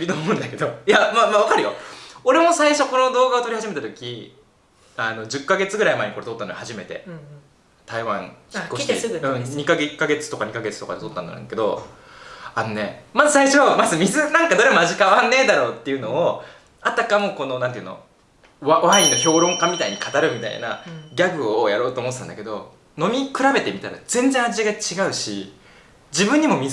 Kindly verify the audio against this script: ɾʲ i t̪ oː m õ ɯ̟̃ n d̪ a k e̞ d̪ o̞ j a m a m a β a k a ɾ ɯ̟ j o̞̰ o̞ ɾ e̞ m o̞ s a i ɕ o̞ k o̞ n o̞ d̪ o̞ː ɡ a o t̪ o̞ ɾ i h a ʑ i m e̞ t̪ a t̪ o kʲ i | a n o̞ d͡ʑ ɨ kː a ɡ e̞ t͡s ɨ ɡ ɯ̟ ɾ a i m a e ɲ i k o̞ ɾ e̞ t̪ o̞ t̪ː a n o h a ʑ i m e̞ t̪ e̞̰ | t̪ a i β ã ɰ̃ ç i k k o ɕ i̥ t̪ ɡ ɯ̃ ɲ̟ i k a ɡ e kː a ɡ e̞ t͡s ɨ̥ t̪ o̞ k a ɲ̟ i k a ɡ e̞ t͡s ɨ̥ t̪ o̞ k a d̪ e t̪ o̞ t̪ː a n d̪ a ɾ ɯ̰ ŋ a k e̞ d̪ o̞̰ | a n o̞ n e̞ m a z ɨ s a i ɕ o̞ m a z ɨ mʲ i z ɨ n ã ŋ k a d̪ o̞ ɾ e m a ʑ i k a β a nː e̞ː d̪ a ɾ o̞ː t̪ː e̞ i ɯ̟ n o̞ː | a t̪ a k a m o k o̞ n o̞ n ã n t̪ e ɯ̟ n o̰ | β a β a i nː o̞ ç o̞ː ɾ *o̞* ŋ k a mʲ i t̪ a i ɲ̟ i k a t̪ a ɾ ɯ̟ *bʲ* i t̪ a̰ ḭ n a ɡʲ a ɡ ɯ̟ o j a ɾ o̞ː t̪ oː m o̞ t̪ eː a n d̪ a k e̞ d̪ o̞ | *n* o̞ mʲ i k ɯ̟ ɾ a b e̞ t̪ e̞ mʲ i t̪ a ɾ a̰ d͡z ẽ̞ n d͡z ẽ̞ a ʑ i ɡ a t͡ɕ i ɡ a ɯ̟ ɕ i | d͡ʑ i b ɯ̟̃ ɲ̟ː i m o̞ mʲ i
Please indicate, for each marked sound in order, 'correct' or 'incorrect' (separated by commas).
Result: incorrect, incorrect, correct